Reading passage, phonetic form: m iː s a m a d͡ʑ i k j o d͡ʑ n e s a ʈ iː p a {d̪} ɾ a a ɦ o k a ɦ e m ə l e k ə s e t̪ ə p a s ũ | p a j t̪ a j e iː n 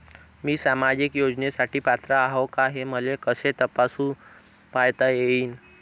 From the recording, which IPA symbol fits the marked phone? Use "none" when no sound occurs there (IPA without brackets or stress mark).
t̪